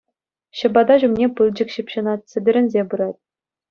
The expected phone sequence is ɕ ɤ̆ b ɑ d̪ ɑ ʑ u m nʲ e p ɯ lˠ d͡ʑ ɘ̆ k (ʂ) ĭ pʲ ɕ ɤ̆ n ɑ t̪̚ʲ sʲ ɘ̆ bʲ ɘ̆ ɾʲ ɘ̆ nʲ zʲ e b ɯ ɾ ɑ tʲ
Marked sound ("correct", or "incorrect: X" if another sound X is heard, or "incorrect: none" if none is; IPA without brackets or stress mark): incorrect: ɕ